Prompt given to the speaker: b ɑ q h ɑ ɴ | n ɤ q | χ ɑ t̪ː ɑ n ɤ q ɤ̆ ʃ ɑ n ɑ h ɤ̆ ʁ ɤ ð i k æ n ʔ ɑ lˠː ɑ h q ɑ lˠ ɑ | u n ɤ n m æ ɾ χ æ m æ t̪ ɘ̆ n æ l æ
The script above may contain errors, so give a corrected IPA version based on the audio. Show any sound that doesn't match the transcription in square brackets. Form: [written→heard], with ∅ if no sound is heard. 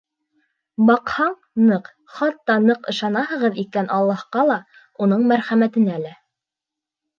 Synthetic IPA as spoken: b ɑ q h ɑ ɴ | n ɤ q | χ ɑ t̪ː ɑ n ɤ q ɤ̆ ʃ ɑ n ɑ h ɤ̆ ʁ ɤ ð i k æ n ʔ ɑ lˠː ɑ h q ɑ lˠ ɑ | u n ɤ [n→ɴ] m æ ɾ χ æ m æ t̪ ɘ̆ n æ l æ